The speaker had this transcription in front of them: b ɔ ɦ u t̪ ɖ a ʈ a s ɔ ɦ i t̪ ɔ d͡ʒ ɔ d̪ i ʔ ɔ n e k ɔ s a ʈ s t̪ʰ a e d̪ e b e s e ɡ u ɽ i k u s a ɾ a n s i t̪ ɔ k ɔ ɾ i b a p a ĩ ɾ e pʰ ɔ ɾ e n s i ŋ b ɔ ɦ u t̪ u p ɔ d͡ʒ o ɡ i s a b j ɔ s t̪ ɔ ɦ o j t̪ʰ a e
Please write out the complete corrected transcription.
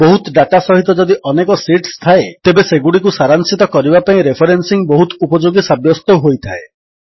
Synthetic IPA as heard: b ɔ ɦ u t̪ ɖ a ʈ a s ɔ ɦ i t̪ ɔ d͡ʒ ɔ d̪ i ʔ ɔ n e k ɔ s i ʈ s t̪ʰ a e t̪ e b e s e ɡ u ɽ i k u s a ɾ a n s i t̪ ɔ k ɔ ɾ i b a p a ĩ ɾ e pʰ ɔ ɾ e n s i ŋ b ɔ ɦ u t̪ u p ɔ d͡ʒ o ɡ i s a b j ɔ s t̪ ɔ ɦ o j t̪ʰ a e